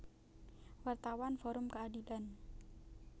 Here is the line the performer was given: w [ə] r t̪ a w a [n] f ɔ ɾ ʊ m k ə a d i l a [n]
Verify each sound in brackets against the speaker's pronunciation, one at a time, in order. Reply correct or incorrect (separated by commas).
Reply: incorrect, correct, correct